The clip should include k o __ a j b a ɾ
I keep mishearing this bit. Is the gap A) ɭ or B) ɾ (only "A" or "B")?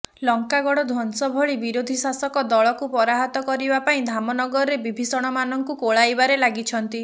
A